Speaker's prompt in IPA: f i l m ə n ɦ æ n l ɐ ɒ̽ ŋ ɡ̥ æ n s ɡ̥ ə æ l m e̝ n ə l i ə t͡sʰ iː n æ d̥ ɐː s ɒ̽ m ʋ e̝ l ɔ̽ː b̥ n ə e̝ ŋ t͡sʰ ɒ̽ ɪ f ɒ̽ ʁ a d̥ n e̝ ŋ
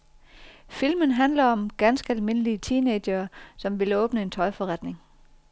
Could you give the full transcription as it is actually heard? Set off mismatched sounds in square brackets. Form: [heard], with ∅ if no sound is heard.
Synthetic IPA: f i l m ə n ɦ æ n l ɐ ɒ̽ [m] ɡ̥ æ n s ɡ̥ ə æ l m e̝ n ə l i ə t͡sʰ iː n [e] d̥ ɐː s ɒ̽ m ʋ e̝ l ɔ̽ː b̥ n ə e̝ [n] t͡sʰ ɒ̽ ɪ f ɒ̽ ʁ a d̥ n e̝ ŋ